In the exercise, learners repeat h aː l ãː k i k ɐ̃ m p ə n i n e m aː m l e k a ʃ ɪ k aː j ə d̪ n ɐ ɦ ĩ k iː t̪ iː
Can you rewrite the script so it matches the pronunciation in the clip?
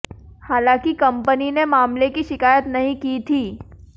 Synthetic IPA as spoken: h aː l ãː k i k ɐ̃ m p ə n i n e m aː m l e k i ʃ ɪ k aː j ə t̪ n ɐ ɦ ĩ k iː t̪ʰ iː